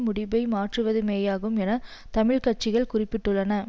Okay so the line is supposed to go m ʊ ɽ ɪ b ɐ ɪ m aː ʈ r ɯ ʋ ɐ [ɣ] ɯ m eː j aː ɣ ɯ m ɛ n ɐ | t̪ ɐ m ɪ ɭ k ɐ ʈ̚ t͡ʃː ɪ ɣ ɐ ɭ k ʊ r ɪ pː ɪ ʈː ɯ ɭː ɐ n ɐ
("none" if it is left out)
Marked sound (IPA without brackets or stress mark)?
ð